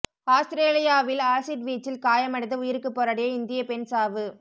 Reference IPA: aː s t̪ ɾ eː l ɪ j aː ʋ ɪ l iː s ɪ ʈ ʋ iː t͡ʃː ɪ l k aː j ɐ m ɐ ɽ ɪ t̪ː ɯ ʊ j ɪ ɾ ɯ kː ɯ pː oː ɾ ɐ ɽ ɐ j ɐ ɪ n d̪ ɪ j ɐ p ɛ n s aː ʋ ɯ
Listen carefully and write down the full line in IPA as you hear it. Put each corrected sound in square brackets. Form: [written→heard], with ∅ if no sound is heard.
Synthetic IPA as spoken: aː s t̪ ɾ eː l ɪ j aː ʋ ɪ l [iː→aː] s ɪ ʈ ʋ iː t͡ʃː ɪ l k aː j ɐ m ɐ ɽ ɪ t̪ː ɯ ʊ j ɪ ɾ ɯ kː ɯ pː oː ɾ ɐ ɽ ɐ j ɐ ɪ n d̪ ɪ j ɐ p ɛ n s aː ʋ ɯ

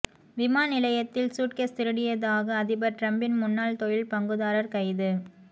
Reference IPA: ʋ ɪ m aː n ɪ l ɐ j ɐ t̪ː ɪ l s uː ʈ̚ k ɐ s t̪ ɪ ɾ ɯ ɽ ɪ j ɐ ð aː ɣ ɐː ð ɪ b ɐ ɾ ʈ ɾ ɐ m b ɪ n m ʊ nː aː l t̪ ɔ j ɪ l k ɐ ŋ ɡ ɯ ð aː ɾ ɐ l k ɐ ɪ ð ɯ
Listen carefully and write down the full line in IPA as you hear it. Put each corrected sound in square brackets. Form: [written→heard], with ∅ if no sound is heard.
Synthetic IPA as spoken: ʋ ɪ m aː n ɪ l ɐ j ɐ t̪ː ɪ l s uː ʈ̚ k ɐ s t̪ ɪ ɾ ɯ ɽ ɪ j ɐ ð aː ɣ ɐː ð ɪ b ɐ ɾ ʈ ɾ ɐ m b ɪ n m ʊ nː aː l t̪ ɔ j ɪ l [k→p] ɐ ŋ ɡ ɯ ð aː ɾ ɐ [l→ɾ] k ɐ ɪ ð ɯ

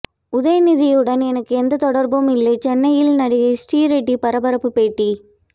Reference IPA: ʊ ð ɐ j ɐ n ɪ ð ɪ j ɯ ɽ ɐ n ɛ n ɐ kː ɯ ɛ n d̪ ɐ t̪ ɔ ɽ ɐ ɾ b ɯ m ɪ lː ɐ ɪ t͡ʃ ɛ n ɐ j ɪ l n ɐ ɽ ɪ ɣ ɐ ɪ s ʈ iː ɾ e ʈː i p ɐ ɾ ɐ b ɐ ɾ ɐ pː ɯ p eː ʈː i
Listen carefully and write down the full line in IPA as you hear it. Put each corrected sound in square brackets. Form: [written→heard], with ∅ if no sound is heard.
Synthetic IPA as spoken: ʊ ð ɐ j ɐ n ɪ ð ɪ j ɯ ɽ ɐ n ɛ n ɐ kː ɯ ɛ n d̪ ɐ t̪ ɔ ɽ ɐ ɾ b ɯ m ɪ lː ɐ ɪ t͡ʃ ɛ [n→nː] ɐ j ɪ l n ɐ ɽ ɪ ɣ ɐ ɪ s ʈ iː ɾ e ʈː i p ɐ ɾ ɐ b ɐ ɾ ɐ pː ɯ p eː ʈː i

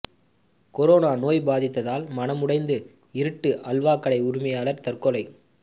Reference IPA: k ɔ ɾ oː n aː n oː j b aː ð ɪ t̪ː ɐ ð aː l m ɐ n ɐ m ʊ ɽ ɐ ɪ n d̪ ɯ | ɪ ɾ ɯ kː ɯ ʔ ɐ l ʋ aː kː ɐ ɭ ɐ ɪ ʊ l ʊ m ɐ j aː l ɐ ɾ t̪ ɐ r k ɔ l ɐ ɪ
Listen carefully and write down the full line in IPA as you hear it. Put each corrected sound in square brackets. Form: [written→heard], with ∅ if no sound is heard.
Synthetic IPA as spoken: k ɔ ɾ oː n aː n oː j b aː ð ɪ t̪ː ɐ ð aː l m ɐ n ɐ m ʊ ɽ ɐ ɪ n d̪ ɯ | ɪ ɾ ɯ [kː→ʈː] ɯ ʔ ɐ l ʋ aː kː ɐ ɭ ɐ ɪ ʊ [l→ɾ] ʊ m ɐ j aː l ɐ ɾ t̪ ɐ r k ɔ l ɐ ɪ

